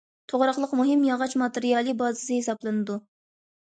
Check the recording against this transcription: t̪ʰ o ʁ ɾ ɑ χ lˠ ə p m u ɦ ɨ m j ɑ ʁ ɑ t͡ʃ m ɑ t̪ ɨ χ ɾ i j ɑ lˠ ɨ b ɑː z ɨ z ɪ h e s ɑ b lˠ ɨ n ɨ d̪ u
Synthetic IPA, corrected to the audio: t̪ʰ o ʁ ɾ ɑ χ lˠ ə q m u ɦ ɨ m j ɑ ʁ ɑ t͡ʃ m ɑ t̪ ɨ ɾ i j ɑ lˠ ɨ b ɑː z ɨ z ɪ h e s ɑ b lˠ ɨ n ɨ d̪ u